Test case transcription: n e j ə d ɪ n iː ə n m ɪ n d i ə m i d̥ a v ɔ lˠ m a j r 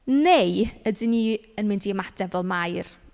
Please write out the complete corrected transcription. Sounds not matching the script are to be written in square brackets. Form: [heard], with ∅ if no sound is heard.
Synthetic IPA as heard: n e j ə d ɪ n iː ə n m ɪ n d i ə m [a] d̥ [ɛ] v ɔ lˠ m a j r